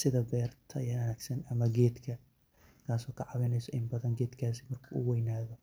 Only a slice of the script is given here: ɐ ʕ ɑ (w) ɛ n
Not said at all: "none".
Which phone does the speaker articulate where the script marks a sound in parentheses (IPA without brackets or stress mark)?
β